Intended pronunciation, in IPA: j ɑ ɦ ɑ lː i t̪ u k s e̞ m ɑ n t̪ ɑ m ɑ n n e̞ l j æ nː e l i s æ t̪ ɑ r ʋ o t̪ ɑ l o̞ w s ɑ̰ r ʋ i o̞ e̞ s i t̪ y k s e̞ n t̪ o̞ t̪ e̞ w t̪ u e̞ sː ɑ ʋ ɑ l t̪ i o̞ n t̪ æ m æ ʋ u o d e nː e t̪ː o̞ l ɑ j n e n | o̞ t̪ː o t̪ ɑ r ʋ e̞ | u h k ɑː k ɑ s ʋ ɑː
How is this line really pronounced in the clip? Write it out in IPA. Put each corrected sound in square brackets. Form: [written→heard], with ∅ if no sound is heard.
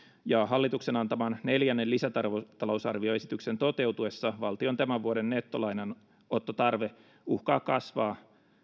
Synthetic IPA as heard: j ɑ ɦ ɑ lː i t̪ u k s e̞ [m→n] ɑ n t̪ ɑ m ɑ n n e̞ l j æ nː e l i s æ t̪ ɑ r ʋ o t̪ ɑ l o̞ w s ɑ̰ r ʋ i o̞ e̞ s i t̪ y k s e̞ n t̪ o̞ t̪ e̞ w t̪ u e̞ sː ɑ ʋ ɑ l t̪ i o̞ n t̪ æ m æ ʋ u o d e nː e t̪ː o̞ l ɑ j n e n | o̞ t̪ː o t̪ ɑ r ʋ e̞ | u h k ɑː k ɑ s ʋ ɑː